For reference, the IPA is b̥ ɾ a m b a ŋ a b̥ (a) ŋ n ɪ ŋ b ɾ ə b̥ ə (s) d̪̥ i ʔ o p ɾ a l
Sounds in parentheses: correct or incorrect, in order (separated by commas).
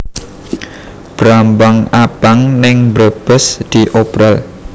correct, correct